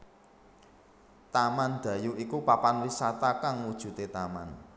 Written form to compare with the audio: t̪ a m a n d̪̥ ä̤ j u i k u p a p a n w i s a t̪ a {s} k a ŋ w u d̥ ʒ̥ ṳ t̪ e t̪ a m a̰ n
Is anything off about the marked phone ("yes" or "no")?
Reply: yes